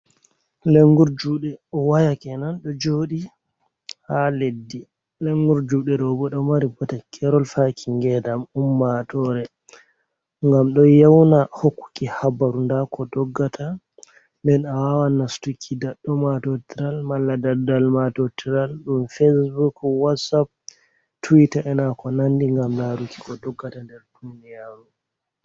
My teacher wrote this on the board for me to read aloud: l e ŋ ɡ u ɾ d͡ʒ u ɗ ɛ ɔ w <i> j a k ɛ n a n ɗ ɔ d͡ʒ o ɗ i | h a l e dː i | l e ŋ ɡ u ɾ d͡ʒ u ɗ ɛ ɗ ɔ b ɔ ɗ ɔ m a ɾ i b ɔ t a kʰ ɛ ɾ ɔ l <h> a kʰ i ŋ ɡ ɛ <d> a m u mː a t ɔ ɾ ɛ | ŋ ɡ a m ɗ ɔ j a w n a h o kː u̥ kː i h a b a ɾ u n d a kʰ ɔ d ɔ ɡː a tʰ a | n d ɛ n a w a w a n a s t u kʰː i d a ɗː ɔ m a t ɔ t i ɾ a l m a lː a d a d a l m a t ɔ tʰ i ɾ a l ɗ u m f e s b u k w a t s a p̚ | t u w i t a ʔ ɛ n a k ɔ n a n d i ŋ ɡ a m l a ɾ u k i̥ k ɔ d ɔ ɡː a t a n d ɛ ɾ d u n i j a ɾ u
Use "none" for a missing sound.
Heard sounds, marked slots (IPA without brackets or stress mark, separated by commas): a, f, d